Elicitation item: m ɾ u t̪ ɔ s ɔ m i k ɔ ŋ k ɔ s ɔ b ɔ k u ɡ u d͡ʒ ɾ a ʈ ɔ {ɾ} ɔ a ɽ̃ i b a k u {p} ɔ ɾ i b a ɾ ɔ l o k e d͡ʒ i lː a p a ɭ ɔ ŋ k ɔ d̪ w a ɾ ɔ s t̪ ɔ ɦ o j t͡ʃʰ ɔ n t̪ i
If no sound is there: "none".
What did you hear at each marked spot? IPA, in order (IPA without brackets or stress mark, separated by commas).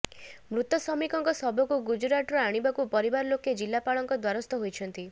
ɾ, p